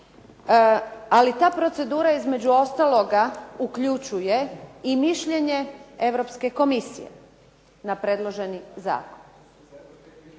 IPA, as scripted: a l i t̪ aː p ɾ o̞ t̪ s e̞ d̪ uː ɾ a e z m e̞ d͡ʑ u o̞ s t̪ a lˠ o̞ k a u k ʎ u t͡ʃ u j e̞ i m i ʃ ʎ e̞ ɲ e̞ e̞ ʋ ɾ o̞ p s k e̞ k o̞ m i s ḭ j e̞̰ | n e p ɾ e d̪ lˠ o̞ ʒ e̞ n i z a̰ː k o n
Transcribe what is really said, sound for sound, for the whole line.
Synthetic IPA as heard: a l i t̪ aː p ɾ o̞ t̪ s e̞ d̪ uː ɾ a i z m e̞ d͡ʑ u o̞ s t̪ a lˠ o̞ ɡ a u k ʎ u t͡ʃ u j e̞ i m i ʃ ʎ e̞ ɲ e̞ e̞ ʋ ɾ o̞ p s k e̞ k o̞ m i s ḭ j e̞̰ | n a p ɾ e d̪ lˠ o̞ ʒ e̞ n i z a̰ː k o n